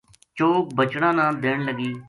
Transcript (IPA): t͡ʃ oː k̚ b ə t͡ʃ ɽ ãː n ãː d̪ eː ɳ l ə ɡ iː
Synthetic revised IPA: t͡ʃ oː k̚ b ə t͡ʃ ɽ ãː n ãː d̪ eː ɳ l ə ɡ iː